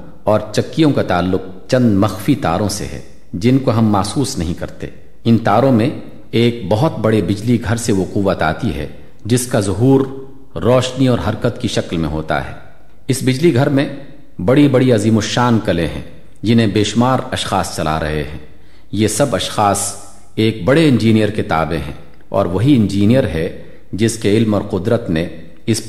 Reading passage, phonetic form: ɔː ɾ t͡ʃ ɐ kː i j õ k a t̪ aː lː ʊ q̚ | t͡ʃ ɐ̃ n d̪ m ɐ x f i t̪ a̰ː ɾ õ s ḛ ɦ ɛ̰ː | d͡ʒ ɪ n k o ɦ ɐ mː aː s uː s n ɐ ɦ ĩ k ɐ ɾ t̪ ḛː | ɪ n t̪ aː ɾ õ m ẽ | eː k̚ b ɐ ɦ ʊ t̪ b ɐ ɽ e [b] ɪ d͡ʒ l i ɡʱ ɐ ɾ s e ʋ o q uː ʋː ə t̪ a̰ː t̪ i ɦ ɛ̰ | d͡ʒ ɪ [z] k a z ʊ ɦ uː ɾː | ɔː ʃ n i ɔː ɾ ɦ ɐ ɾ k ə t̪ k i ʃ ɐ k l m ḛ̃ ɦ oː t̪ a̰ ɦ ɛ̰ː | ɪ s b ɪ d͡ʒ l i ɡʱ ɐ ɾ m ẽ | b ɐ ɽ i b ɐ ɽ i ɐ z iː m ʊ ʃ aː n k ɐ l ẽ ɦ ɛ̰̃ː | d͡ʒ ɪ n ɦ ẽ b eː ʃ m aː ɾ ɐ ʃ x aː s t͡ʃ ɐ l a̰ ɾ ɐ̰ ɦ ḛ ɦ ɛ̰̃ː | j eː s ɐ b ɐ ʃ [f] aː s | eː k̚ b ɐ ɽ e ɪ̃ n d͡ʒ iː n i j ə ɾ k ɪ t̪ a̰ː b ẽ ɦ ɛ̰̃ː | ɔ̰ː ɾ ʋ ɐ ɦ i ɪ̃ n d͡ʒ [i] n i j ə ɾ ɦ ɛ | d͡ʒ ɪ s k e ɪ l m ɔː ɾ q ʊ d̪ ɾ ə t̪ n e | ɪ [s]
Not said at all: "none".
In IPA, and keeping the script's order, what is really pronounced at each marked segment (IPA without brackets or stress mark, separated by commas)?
b, s, x, iː, s